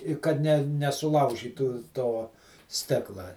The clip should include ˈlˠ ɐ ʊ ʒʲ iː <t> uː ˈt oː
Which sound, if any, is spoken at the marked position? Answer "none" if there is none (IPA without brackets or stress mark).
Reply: t